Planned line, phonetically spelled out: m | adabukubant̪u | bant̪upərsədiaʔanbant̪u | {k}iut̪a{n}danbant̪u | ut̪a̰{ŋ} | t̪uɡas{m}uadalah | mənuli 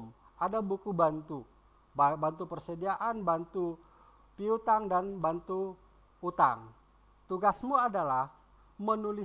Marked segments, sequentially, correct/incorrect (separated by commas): incorrect, incorrect, correct, correct